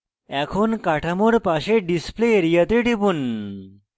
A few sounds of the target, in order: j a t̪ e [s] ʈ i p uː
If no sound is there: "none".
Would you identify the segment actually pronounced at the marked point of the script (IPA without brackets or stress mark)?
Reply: none